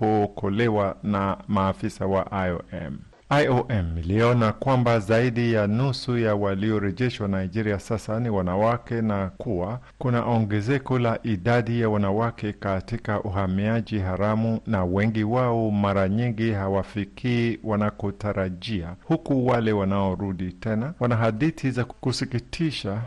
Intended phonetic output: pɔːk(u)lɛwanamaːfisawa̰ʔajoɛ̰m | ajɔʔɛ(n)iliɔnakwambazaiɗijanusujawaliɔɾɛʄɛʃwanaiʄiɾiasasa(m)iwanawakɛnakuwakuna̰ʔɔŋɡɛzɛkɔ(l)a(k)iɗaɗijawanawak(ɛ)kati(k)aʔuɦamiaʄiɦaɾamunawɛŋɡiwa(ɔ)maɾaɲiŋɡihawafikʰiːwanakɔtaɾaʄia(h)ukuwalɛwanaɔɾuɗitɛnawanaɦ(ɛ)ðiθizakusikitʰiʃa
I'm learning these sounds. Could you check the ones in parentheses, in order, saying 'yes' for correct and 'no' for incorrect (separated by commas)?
no, no, no, yes, no, yes, yes, yes, yes, no